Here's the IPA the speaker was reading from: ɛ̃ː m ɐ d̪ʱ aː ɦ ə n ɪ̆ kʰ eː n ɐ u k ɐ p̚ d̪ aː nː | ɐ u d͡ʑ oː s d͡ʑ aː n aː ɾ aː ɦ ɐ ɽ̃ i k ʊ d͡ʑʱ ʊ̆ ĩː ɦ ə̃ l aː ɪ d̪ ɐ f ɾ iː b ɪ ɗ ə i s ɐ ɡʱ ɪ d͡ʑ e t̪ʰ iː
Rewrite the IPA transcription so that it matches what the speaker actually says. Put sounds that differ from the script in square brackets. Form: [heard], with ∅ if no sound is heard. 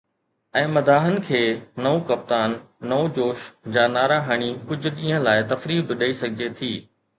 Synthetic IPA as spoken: ɛ̃ː m ɐ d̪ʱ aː ɦ ə n ɪ̆ kʰ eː n ɐ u k ɐ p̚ [t̪] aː nː | ɐ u d͡ʑ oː [ʃ] d͡ʑ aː n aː ɾ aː ɦ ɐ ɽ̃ i k ʊ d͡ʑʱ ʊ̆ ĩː ɦ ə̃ l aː ɪ [t̪] ɐ f ɾ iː b ɪ ɗ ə i s ɐ ɡʱ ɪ d͡ʑ e t̪ʰ iː

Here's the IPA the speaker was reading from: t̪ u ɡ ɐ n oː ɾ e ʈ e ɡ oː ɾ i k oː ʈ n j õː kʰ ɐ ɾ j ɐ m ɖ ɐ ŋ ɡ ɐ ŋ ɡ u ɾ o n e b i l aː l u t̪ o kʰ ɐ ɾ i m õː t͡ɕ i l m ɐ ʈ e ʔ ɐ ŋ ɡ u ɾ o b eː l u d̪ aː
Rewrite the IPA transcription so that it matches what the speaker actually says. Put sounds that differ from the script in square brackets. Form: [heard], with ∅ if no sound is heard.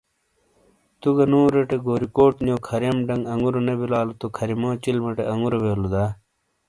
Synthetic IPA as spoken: t̪ u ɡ ɐ n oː ɾ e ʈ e ɡ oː ɾ i k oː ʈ n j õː kʰ ɐ ɾ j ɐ m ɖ ɐ ŋ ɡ ɐ ŋ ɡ u ɾ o n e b i l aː l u t̪ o kʰ ɐ ɾ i m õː t͡ɕ i l m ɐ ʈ e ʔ ɐ ŋ ɡ u ɾ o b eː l u d̪ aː

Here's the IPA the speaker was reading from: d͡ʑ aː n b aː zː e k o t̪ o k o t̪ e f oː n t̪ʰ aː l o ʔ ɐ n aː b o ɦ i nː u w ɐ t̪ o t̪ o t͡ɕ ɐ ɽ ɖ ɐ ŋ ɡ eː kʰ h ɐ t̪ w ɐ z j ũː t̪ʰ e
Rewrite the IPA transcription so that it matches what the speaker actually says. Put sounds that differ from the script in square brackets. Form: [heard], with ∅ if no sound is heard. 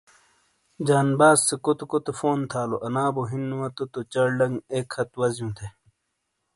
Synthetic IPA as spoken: d͡ʑ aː n b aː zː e k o t̪ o k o t̪ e f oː n t̪ʰ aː l o ʔ ɐ n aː b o ɦ i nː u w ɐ t̪ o t̪ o t͡ɕ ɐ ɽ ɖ ɐ ŋ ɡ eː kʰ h ɐ t̪ w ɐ z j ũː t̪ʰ e

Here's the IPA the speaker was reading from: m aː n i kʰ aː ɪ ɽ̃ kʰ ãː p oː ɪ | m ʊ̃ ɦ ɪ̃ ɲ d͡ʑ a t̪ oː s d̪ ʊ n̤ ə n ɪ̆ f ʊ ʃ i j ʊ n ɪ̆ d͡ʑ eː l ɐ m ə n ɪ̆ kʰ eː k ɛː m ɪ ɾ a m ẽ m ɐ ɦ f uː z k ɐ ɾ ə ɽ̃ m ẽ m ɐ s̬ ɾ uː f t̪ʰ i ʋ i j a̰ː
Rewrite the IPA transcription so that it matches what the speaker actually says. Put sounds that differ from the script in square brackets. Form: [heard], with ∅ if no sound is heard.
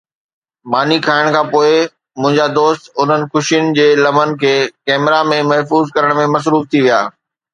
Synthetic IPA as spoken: m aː n i kʰ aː ɪ ɽ̃ kʰ ãː p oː ɪ | m ʊ̃ ɦ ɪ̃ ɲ d͡ʑ a [d̪] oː s [t̪] ʊ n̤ ə n ɪ̆ [x] ʊ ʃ i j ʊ n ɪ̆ d͡ʑ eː l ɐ m ə n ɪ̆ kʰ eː k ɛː m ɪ ɾ a m ẽ m ɐ ɦ f uː z k ɐ ɾ ə ɽ̃ m ẽ m ɐ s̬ ɾ uː f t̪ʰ i ʋ i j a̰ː

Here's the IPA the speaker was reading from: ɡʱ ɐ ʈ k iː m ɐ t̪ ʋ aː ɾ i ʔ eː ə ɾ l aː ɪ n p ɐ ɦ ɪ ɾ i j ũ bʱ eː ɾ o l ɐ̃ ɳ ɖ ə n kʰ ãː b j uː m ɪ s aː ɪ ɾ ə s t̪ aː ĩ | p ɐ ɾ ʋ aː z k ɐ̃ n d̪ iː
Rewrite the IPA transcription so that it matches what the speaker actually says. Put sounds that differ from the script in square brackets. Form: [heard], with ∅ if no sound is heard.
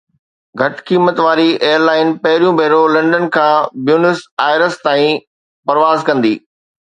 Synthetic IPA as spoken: ɡʱ ɐ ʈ k iː m [ə] t̪ ʋ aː ɾ i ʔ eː ə ɾ l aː ɪ n p ɐ ɦ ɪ ɾ i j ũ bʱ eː ɾ o l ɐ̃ ɳ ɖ ə n kʰ ãː b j uː [n] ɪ s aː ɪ ɾ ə s t̪ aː ĩ | p ɐ ɾ ʋ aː z k ɐ̃ n d̪ iː

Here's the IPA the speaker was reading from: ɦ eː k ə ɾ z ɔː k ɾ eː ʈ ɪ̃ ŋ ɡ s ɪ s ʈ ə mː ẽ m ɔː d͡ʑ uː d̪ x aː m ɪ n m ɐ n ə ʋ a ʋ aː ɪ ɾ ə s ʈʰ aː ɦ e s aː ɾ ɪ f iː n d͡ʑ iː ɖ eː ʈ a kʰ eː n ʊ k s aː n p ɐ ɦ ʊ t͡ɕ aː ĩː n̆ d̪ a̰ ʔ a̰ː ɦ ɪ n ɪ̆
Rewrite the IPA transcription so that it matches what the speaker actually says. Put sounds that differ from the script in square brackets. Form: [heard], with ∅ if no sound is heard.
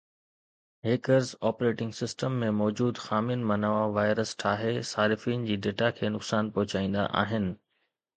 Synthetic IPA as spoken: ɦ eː k ə ɾ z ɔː [p] ɾ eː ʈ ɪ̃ ŋ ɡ s ɪ s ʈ ə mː ẽ m ɔː d͡ʑ uː d̪ x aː m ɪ n m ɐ n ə ʋ a ʋ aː ɪ ɾ ə s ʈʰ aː ɦ e s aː ɾ ɪ f iː n d͡ʑ iː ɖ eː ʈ a kʰ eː n ʊ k s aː n p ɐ ɦ ʊ t͡ɕ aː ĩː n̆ d̪ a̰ ʔ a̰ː ɦ ɪ n ɪ̆

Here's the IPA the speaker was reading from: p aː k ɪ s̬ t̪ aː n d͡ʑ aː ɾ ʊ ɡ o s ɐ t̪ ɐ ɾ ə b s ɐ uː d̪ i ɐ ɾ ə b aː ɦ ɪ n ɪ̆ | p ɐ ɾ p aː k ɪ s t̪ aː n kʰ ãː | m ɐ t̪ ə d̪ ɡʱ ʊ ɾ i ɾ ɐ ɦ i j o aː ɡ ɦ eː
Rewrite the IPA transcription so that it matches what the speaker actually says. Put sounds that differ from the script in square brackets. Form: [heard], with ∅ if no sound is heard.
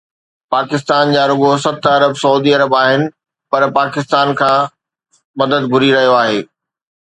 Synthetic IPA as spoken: p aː k ɪ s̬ t̪ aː n d͡ʑ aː ɾ ʊ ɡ o s ɐ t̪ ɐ ɾ ə b s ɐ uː d̪ i ɐ ɾ ə b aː ɦ ɪ n ɪ̆ | p ɐ ɾ p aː k ɪ s t̪ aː n kʰ ãː | m ɐ [d̪] ə d̪ ɡʱ ʊ ɾ i ɾ ɐ ɦ i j o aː [∅] ɦ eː

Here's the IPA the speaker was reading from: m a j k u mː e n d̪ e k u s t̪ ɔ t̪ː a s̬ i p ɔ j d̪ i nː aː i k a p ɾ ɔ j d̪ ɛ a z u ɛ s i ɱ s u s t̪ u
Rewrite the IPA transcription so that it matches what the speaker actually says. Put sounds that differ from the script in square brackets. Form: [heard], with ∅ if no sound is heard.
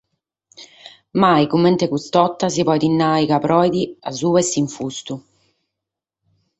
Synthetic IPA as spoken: m a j k u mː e n [t̪] e k u s t̪ ɔ t̪ː a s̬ i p ɔ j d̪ i nː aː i k a p ɾ ɔ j d̪ [i] a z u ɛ s i ɱ [f] u s t̪ u

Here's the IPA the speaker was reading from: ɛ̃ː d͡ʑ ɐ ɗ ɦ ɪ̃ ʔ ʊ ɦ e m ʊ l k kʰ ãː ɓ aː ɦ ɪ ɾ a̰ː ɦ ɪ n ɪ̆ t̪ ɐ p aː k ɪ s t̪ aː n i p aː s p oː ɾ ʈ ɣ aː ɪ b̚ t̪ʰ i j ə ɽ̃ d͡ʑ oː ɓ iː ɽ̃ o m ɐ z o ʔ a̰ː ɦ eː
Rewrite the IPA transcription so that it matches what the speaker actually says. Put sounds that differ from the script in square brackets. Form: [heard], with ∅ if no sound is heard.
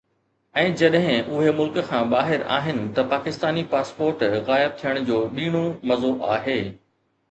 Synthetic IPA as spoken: ɛ̃ː d͡ʑ ɐ ɗ ɦ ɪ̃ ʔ ʊ ɦ e m ʊ l k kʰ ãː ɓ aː ɦ ɪ ɾ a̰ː ɦ ɪ n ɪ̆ t̪ ɐ p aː k ɪ s t̪ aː n i p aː s p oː ɾ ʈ ɣ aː ɪ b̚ t̪ʰ i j ə ɽ̃ d͡ʑ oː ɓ iː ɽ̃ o m ɐ z o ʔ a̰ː ɦ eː

